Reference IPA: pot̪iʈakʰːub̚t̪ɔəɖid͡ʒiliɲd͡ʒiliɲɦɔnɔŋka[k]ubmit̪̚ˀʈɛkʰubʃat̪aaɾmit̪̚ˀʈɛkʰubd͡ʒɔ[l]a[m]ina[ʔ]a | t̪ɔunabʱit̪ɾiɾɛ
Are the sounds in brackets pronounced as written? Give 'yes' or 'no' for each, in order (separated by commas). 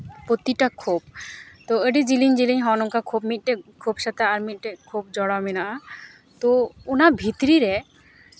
no, no, yes, yes